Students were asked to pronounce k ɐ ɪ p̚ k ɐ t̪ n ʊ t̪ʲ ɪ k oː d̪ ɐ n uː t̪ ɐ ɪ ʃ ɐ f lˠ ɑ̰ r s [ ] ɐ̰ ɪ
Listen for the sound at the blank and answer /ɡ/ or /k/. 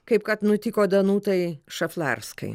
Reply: k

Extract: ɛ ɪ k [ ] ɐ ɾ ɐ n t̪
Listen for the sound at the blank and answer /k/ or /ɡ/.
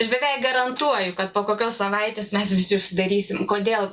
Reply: ɡ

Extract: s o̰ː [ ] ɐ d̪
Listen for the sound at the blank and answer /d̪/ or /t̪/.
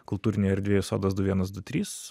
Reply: d̪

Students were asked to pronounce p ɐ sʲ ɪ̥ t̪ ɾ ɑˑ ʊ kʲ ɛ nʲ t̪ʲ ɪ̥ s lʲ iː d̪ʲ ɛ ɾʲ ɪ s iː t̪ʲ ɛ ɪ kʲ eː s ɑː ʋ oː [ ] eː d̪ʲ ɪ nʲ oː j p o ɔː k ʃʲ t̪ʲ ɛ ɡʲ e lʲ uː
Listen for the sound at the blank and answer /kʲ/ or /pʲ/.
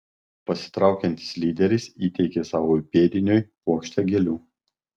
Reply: pʲ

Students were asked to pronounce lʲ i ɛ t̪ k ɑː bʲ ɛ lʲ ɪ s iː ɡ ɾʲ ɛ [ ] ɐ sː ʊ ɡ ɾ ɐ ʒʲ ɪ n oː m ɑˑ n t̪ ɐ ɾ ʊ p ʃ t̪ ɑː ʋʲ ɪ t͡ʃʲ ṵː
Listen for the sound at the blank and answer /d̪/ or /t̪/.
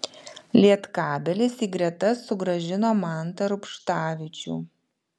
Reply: t̪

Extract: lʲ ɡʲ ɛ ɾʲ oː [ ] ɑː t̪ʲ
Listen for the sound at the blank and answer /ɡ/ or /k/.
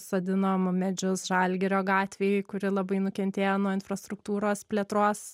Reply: ɡ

